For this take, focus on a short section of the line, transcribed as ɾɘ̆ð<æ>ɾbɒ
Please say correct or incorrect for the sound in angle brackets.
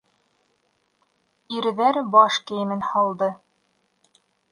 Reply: correct